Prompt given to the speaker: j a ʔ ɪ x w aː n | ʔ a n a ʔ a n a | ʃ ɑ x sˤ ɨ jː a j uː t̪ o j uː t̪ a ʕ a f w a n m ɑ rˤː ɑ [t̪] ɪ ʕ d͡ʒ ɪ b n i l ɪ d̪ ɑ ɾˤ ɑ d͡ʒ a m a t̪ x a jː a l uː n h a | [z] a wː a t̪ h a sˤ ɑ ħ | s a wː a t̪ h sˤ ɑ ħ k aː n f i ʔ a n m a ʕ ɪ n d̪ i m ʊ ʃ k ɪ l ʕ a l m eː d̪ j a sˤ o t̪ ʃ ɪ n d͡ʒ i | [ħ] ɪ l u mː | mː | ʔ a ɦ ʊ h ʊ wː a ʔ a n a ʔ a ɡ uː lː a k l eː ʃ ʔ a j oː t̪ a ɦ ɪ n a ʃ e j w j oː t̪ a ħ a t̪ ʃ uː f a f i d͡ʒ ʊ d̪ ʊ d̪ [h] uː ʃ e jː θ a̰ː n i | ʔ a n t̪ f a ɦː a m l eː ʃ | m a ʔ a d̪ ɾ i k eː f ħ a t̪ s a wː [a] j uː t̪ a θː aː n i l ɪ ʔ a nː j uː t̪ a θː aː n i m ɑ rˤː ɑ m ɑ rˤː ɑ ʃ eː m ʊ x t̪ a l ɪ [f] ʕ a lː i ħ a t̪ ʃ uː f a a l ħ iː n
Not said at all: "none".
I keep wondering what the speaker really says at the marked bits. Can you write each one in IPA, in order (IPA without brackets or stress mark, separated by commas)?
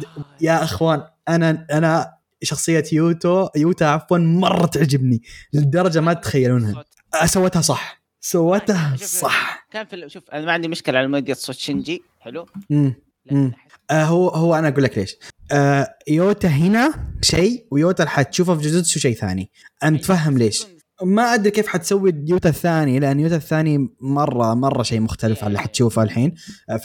t̪, s, ħ, ʃ, i, f